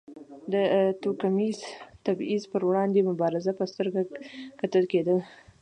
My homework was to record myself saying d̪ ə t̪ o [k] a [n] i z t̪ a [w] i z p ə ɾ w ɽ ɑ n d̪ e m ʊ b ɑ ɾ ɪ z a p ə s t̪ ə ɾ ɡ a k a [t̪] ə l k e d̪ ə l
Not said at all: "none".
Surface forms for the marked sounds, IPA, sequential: k, m, b, t̪

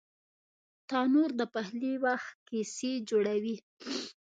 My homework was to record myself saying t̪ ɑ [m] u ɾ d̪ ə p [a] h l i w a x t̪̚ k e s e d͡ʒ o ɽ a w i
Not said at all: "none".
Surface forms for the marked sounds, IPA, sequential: n, a

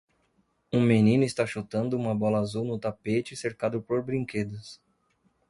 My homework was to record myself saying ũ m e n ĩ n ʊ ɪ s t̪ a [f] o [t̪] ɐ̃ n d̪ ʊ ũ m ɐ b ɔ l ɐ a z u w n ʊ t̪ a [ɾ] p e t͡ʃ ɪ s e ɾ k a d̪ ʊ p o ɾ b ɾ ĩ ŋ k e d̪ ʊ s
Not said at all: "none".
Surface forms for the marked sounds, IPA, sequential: ʃ, t̪, none

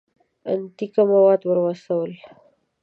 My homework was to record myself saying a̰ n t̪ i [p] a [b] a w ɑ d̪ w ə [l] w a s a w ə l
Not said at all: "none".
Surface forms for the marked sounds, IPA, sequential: k, m, ɾ

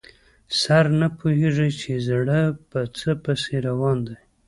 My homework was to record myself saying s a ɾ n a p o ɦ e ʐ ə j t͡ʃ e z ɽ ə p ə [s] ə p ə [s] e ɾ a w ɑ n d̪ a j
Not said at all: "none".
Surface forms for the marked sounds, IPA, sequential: t͡s, s

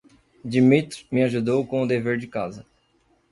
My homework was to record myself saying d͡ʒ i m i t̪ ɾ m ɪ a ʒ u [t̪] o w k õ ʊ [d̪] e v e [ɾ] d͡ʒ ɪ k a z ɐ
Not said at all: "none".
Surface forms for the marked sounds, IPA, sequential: d̪, d̪, ɾ

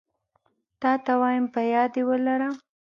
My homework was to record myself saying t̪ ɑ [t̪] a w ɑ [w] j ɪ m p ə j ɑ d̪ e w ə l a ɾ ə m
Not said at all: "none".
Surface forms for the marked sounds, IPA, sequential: t̪, none

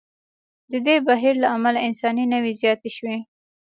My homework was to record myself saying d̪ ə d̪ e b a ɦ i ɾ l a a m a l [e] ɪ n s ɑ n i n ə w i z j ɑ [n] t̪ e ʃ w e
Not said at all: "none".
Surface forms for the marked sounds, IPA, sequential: a, none

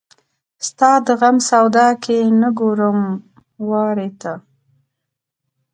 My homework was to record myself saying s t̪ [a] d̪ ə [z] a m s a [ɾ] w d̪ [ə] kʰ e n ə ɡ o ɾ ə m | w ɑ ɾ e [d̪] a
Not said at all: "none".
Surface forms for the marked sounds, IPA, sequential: ɑ, ɣ, none, ɑ, t̪

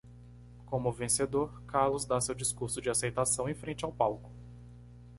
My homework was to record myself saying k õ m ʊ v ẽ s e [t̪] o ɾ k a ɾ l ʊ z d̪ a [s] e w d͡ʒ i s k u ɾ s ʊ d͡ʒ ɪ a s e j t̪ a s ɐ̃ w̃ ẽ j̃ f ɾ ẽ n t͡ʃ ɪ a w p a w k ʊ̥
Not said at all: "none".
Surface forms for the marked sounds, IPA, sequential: d̪, s

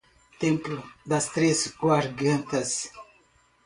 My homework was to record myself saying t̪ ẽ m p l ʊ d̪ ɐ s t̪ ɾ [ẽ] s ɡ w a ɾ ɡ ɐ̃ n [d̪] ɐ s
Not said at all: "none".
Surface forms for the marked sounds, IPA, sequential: e, t̪

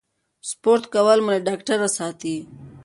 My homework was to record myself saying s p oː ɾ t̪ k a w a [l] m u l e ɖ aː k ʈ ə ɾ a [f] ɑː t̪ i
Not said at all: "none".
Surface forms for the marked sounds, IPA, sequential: l, s

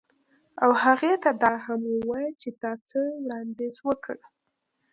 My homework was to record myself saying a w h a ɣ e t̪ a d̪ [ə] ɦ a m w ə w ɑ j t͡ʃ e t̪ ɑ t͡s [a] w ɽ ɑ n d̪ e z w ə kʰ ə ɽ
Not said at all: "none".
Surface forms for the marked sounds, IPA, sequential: ɑ, ə

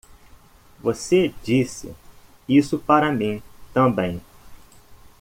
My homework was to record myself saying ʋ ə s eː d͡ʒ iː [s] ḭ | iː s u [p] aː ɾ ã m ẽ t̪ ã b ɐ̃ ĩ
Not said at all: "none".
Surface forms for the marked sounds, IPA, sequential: s, p

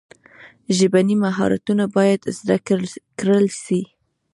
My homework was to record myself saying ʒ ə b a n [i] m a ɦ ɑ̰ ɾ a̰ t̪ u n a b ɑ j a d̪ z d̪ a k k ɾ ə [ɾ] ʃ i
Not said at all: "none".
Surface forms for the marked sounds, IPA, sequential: i, l

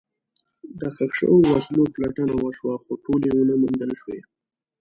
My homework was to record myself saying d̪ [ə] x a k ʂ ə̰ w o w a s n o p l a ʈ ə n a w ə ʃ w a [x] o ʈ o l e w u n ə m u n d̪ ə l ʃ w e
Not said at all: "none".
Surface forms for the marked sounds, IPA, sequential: ə, x

